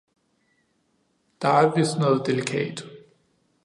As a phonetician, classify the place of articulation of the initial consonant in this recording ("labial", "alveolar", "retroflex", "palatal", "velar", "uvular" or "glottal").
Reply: alveolar